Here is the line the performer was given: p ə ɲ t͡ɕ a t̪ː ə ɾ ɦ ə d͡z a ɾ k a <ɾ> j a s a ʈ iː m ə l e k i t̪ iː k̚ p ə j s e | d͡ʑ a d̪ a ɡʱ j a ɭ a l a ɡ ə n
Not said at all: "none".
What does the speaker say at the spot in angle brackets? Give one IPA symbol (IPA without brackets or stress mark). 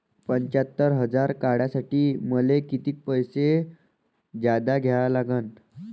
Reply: ɽ